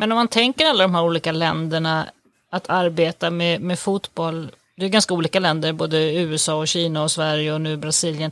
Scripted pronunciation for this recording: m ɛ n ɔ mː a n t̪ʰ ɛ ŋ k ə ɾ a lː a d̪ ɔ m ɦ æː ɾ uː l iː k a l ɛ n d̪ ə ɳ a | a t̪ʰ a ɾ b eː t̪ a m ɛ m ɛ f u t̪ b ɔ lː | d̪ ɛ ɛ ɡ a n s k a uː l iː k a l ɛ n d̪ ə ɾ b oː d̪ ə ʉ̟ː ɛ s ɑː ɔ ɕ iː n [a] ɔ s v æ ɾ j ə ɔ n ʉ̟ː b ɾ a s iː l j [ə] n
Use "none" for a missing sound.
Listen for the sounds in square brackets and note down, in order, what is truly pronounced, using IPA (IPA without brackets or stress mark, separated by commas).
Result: a, ə